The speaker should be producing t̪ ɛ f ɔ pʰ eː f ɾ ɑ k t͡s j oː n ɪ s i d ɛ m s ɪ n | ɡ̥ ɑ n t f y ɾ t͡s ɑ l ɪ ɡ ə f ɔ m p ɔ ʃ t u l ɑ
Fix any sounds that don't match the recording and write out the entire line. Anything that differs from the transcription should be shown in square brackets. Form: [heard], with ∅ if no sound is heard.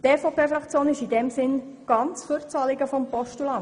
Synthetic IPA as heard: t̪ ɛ f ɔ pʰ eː f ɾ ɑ k t͡s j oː n ɪ [ʃ] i d ɛ m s ɪ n | ɡ̥ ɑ n [t͡s] f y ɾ t͡s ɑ l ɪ ɡ ə f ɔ m p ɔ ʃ t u l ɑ